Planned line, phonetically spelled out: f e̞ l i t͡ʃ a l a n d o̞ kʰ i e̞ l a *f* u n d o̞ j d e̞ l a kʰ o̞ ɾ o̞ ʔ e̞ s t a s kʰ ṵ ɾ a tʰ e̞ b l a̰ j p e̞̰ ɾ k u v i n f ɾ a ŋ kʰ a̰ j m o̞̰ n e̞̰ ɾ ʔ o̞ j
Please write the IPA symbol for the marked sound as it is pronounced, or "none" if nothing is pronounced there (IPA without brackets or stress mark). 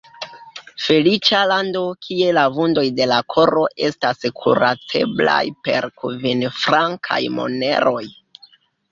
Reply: v